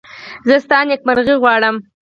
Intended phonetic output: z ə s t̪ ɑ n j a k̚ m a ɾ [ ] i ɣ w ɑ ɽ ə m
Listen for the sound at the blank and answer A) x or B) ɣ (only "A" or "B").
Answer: B